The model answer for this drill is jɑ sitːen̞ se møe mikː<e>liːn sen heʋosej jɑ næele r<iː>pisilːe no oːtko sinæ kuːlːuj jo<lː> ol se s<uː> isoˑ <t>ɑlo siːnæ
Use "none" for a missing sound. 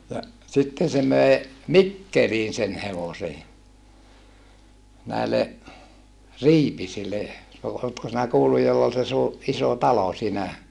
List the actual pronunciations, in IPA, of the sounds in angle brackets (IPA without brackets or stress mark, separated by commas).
e, iː, lː, uː, t